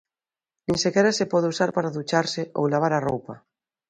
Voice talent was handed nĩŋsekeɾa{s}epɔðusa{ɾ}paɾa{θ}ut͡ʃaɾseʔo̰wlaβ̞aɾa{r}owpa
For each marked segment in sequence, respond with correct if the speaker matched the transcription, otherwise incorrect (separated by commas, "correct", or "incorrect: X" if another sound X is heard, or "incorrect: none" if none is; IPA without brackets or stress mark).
correct, correct, incorrect: ð, correct